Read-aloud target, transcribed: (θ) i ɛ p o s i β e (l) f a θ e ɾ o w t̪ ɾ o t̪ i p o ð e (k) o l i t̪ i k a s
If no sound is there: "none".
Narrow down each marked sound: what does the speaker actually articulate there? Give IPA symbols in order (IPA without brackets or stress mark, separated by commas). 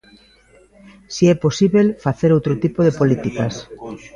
s, l, p